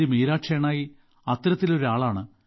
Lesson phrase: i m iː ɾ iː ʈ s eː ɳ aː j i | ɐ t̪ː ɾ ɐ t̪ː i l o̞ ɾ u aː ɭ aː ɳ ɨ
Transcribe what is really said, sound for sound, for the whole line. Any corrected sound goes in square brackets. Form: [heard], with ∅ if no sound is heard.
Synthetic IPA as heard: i m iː ɾ [aː] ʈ [ʂ] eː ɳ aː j i | ɐ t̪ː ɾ ɐ t̪ː i l o̞ ɾ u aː ɭ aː ɳ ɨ